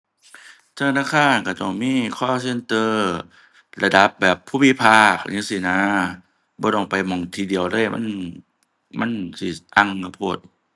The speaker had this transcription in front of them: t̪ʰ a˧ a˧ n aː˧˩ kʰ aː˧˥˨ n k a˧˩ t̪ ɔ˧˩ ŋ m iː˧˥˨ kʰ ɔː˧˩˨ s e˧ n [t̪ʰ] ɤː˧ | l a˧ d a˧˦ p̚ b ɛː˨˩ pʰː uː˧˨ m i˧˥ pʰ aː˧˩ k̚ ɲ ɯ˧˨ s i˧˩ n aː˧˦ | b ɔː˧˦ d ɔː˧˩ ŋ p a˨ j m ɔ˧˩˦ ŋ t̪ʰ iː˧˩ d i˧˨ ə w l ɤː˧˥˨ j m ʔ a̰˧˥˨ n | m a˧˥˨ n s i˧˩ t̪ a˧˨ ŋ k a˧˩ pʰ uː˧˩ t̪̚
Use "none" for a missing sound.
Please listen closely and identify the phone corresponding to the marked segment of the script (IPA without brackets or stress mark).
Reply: t̪